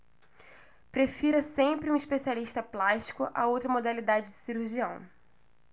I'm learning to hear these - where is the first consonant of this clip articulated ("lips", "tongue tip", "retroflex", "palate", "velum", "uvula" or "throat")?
lips